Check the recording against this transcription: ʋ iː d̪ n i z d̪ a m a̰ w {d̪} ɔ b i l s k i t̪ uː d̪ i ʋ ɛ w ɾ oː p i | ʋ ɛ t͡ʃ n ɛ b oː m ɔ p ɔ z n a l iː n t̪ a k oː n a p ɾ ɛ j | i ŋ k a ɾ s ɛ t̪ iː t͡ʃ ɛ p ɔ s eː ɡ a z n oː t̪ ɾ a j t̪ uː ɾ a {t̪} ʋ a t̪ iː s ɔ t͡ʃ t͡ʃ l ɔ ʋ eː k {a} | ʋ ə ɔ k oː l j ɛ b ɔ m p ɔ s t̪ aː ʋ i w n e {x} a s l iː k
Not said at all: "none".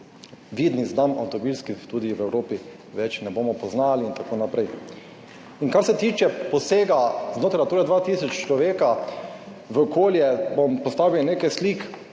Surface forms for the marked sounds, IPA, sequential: t̪, d̪, a, k

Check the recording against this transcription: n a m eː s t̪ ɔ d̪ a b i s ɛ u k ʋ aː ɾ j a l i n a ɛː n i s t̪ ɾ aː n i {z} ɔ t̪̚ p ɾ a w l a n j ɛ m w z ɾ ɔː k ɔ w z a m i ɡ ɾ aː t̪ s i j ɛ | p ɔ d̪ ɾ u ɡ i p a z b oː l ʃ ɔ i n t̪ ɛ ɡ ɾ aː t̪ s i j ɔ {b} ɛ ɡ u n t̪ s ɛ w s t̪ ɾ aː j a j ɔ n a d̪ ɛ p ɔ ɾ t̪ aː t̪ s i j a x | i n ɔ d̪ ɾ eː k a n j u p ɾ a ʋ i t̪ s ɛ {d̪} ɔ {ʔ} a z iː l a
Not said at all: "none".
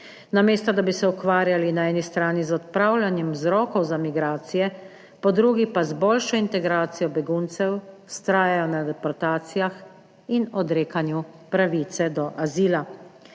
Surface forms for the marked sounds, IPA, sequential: z, b, d̪, ʔ

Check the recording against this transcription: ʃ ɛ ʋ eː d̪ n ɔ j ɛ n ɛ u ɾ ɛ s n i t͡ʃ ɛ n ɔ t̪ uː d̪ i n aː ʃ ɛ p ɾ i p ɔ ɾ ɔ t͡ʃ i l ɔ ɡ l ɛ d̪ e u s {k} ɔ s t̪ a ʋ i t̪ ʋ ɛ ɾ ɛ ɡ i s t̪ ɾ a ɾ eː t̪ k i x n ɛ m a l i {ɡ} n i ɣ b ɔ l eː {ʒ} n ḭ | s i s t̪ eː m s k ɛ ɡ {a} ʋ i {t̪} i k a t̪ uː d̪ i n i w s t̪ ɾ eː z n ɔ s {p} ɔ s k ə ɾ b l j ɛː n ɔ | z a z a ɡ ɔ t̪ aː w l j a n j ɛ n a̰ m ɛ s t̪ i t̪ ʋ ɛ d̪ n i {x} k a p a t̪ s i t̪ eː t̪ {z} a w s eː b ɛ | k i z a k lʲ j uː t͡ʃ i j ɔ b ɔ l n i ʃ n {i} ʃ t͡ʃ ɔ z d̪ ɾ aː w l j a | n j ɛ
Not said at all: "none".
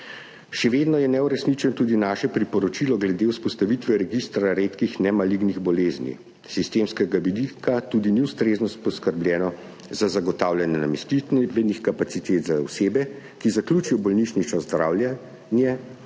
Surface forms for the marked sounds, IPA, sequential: p, ɡ, z, a, d̪, p, x, z, i

